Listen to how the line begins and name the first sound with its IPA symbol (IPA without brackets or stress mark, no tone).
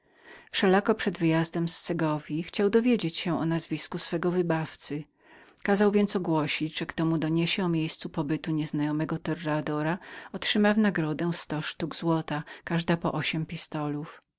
f